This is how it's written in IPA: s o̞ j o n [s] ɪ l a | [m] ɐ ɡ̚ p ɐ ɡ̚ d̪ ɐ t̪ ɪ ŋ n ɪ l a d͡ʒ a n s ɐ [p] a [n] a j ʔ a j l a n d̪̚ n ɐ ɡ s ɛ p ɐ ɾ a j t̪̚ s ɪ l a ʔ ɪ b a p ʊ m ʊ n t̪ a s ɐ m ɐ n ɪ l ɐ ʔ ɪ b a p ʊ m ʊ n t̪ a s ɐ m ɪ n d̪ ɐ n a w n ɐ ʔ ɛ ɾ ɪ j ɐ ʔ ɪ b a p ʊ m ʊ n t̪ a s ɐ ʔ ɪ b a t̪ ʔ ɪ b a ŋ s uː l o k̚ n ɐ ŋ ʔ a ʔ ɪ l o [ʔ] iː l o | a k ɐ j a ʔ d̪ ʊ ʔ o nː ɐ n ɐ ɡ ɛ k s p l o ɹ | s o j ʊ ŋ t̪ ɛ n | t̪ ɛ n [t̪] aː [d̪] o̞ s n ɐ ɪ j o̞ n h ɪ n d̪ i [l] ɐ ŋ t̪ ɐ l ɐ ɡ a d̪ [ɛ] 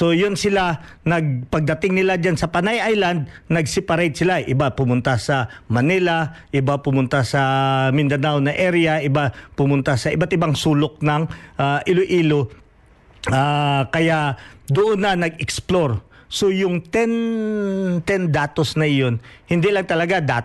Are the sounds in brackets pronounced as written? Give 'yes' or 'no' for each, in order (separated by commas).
yes, no, yes, yes, yes, no, no, yes, no